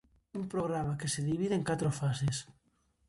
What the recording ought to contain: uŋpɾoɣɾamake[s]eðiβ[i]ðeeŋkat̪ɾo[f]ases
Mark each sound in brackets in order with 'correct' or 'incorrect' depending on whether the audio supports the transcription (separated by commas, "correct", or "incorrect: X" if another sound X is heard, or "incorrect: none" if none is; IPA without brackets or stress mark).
correct, correct, correct